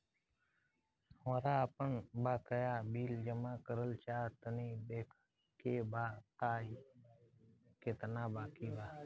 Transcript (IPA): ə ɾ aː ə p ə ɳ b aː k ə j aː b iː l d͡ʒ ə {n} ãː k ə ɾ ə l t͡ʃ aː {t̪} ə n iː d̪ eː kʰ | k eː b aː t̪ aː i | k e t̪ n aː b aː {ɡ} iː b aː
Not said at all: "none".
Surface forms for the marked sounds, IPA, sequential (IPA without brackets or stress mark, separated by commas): m, t̪, k